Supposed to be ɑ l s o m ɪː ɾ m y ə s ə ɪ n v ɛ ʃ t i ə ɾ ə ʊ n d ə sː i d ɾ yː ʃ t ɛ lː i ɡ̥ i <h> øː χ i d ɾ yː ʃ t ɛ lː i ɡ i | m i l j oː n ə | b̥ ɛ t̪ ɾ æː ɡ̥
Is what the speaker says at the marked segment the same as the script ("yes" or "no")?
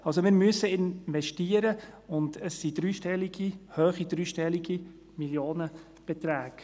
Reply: yes